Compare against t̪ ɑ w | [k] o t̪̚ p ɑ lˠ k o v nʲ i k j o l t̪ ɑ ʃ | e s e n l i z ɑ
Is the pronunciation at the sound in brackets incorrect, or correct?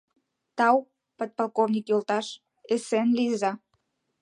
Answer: incorrect